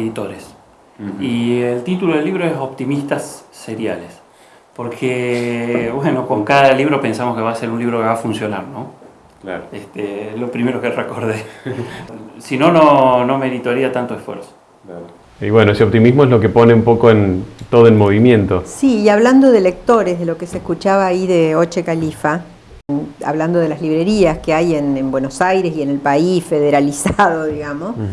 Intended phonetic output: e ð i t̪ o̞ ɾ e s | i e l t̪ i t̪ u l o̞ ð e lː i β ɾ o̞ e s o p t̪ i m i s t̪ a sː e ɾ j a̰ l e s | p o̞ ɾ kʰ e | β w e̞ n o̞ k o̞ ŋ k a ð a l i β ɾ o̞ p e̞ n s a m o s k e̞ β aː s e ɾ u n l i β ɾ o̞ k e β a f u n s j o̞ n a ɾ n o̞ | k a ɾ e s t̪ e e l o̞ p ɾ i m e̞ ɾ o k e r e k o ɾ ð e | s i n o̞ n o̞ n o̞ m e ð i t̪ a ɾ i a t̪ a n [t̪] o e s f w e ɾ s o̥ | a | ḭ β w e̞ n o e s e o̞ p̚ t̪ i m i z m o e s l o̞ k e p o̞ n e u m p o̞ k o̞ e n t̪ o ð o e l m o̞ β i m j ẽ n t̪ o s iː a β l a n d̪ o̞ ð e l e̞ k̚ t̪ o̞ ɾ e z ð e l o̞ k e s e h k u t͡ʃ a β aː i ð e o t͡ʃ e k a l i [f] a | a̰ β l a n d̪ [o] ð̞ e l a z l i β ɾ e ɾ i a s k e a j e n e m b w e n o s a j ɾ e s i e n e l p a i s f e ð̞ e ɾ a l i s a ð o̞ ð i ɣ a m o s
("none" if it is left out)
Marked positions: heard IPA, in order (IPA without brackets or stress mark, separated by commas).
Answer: t̪, f, o